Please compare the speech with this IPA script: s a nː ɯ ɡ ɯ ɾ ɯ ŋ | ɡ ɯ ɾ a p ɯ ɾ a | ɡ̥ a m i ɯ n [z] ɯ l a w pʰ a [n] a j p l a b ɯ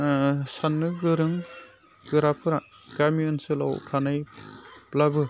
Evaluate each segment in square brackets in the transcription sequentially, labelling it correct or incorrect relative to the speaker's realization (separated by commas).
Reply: incorrect, correct